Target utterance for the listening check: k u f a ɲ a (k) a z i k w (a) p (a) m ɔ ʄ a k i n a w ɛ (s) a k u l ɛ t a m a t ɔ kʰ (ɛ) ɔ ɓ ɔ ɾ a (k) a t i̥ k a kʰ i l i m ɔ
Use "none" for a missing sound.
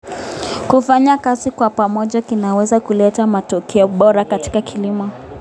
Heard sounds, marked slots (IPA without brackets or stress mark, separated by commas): k, a, a, z, ɛ, k